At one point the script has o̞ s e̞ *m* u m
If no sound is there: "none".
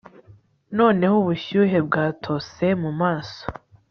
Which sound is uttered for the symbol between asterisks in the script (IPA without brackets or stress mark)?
m